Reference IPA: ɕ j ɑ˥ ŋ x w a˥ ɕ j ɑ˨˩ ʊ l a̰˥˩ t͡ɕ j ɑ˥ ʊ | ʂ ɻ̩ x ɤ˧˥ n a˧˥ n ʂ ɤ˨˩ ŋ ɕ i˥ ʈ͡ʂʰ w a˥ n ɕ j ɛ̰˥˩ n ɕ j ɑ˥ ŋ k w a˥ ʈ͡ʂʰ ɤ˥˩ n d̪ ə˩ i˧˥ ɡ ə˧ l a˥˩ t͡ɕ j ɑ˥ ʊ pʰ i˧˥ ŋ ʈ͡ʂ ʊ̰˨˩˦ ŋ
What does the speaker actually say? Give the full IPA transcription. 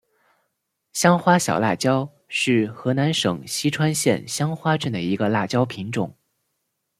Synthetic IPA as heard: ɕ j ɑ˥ ŋ x w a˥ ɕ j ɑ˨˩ ʊ l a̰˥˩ t͡ɕ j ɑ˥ ʊ | ʂ ɻ̩ x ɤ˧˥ n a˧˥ n ʂ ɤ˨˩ ŋ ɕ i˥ ʈ͡ʂʰ w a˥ n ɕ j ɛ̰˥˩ n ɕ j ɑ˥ ŋ x w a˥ ʈ͡ʂ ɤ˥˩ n d̪ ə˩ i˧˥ ɡ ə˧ l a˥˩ t͡ɕ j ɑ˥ ʊ pʰ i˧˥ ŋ ʈ͡ʂ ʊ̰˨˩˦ ŋ